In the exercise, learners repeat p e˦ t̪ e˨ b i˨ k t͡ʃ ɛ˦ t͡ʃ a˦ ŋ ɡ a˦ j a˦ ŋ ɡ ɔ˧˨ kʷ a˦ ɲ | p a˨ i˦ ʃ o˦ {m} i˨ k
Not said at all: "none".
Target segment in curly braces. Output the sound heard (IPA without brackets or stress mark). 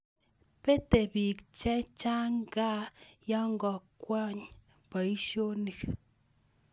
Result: n